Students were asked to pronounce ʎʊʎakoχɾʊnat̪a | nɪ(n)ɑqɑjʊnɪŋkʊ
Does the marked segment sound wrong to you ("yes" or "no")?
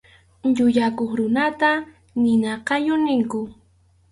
no